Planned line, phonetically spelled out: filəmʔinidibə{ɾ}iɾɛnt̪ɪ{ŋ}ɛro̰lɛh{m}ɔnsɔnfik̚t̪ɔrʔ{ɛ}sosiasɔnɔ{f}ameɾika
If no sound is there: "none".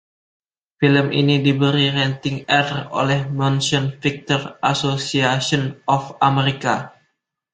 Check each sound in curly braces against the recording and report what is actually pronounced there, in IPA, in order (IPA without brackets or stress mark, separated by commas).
ɾ, ŋ, m, a, f